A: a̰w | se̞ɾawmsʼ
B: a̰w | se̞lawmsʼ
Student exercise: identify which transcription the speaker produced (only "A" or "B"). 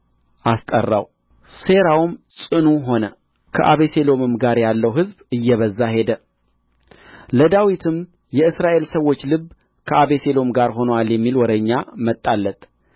A